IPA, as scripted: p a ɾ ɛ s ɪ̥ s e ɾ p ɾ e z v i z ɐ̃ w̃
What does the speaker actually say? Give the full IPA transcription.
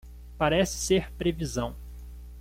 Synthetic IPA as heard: p a ɾ ɛ s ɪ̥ s e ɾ p ɾ e v i z ɐ̃ w̃